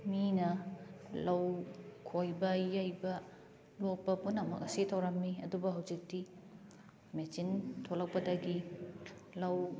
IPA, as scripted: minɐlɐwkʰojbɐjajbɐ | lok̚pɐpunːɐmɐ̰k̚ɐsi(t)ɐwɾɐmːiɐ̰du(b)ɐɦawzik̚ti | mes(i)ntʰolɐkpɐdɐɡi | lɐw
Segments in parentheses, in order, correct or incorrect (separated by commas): incorrect, correct, correct